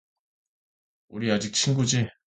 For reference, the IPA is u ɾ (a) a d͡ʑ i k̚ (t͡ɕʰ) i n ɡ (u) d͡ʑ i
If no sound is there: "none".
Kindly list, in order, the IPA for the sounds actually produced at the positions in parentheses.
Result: i, t͡ɕʰ, u

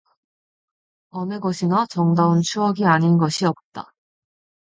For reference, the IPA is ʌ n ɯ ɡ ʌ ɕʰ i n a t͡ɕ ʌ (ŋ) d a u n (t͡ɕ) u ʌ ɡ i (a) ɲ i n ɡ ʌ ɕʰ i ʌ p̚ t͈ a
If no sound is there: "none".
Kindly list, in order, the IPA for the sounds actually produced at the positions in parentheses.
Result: ŋ, t͡ɕʰ, a

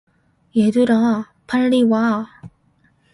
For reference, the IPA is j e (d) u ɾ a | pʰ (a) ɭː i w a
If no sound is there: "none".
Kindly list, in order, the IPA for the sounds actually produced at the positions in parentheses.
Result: d, a

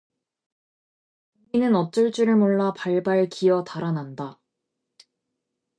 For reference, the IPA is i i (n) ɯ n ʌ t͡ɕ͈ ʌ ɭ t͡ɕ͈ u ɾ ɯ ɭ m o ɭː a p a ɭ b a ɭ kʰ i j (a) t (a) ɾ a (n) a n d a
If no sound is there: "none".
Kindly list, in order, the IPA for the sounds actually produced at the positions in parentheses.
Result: n, ʌ, a, n

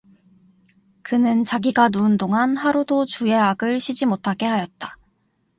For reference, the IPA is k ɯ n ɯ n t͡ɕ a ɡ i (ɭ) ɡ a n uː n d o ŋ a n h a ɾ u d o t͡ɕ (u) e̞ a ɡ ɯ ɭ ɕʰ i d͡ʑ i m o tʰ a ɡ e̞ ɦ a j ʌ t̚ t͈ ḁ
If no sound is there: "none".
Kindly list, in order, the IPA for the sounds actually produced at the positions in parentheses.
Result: none, u

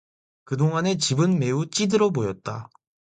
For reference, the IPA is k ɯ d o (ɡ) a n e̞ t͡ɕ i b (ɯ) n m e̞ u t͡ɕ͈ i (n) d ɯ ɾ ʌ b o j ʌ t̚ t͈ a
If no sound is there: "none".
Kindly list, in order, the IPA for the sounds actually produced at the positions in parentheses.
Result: ŋ, ɯ, none

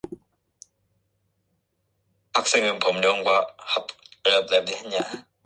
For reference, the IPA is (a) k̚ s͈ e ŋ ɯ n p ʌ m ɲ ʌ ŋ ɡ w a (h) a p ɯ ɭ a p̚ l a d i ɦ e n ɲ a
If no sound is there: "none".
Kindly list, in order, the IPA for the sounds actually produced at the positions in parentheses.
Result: a, h

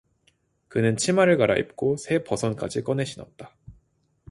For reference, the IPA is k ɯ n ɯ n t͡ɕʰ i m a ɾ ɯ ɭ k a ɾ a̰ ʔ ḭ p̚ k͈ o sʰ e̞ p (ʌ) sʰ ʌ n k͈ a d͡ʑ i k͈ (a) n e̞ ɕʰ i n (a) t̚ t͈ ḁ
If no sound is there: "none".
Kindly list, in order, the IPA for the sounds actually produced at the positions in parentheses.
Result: ʌ, ʌ, ʌ

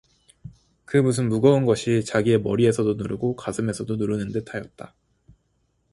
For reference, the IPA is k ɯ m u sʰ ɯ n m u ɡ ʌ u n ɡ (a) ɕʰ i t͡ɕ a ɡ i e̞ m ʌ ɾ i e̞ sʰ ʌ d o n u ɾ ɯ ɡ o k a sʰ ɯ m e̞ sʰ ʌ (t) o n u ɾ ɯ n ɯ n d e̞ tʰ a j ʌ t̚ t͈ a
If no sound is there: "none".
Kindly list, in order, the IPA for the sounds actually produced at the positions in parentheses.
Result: ʌ, d

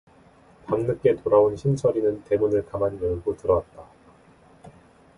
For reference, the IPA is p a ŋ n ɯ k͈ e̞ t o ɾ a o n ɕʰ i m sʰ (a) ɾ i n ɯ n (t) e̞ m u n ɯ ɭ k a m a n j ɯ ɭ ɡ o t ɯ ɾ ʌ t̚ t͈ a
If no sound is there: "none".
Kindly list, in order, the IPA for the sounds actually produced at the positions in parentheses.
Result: ʌ, t

